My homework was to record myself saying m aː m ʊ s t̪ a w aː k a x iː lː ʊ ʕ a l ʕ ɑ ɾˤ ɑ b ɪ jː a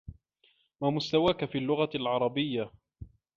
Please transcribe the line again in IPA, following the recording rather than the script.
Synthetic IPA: m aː m ʊ s t̪ a w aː k a f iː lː ʊ ɣ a l ʕ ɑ ɾˤ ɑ b ɪ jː a